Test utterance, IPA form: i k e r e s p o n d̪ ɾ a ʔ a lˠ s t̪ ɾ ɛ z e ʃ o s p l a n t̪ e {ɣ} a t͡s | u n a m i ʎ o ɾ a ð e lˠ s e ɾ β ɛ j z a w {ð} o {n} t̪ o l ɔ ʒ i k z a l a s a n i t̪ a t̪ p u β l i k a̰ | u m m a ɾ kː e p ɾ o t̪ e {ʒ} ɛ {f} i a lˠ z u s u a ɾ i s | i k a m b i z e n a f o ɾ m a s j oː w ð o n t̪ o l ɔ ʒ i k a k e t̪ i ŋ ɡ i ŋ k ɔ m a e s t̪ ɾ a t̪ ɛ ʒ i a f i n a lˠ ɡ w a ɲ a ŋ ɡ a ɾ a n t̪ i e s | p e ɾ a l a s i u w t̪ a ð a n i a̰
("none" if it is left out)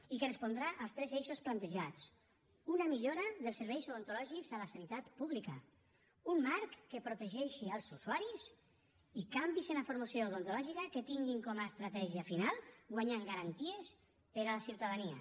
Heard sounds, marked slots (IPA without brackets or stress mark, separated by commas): ʒ, ð, n, ʒ, ʃ